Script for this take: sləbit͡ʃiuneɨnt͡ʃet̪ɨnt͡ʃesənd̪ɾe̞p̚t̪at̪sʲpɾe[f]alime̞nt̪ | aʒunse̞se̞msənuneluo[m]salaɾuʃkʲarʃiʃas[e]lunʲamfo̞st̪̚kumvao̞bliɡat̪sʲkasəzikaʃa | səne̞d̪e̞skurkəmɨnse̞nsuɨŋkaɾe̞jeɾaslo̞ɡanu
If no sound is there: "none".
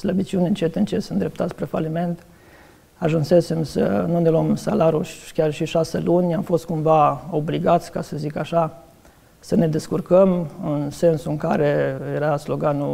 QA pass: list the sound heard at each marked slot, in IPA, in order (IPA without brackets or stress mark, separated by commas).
f, m, e